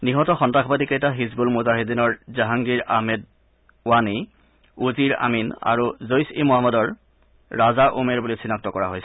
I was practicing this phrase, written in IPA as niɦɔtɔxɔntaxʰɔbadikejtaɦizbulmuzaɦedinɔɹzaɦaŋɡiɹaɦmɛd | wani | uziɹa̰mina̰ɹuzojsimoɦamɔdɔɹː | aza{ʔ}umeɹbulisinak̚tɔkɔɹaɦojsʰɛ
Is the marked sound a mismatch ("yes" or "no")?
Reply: no